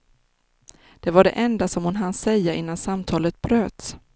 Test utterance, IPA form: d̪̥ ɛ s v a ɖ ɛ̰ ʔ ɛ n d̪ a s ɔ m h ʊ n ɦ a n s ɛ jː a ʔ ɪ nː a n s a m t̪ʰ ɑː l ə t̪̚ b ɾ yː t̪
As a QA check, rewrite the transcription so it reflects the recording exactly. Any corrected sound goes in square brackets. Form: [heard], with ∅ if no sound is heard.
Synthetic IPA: d̪̥ ɛ [∅] v a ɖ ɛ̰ ʔ ɛ n d̪ a s ɔ m h ʊ n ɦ a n s ɛ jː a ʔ ɪ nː a n s a m t̪ʰ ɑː l ə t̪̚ b ɾ [øː] t̪